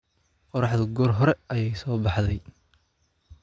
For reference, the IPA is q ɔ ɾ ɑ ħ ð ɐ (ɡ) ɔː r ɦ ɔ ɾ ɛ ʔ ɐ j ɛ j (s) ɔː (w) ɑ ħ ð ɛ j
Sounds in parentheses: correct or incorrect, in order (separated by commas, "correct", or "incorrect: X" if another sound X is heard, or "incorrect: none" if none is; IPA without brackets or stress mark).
correct, correct, incorrect: b